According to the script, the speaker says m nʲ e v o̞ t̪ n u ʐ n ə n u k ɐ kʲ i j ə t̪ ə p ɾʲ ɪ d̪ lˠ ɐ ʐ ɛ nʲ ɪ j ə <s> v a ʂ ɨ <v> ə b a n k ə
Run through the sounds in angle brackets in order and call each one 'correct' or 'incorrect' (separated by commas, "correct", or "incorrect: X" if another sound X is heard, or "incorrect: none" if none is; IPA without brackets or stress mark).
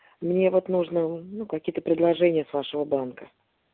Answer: correct, correct